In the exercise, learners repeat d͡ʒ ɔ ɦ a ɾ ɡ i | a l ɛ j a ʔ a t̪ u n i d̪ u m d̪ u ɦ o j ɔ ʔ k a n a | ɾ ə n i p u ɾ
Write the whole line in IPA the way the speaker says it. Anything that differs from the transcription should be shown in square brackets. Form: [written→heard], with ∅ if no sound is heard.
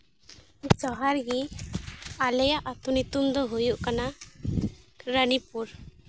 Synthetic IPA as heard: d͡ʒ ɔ ɦ a ɾ ɡ i | a l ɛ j a ʔ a t̪ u n i [d̪→t̪] u m d̪ [u→ɔ] ɦ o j [ɔ→u] ʔ k a n a | ɾ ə n i p u ɾ